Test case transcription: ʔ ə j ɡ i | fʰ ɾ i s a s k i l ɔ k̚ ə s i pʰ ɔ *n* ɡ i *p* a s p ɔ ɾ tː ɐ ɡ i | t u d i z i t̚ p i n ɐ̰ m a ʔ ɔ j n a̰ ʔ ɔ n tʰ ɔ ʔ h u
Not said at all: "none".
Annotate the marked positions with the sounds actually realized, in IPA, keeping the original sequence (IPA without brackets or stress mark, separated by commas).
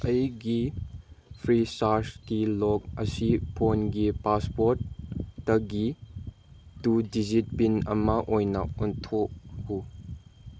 n, p